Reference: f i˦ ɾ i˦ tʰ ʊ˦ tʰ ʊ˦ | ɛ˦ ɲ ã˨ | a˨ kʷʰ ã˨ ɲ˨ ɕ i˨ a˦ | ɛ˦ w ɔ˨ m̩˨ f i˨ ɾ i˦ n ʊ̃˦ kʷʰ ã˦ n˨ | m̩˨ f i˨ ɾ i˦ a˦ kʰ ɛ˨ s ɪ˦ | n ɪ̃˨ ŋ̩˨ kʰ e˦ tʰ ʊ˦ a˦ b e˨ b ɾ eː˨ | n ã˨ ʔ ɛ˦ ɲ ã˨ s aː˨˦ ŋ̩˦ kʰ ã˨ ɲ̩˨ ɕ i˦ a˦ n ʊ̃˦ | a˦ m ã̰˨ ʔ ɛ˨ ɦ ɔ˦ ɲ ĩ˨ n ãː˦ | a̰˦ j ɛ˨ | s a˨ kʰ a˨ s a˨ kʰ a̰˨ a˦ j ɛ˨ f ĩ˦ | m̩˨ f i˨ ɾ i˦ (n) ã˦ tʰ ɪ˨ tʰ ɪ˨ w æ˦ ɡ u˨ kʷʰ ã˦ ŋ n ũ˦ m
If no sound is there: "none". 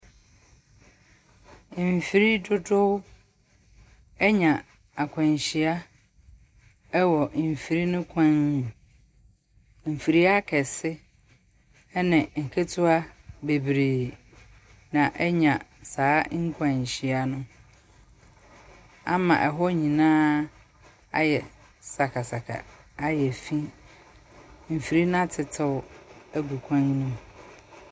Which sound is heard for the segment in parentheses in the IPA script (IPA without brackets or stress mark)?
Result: n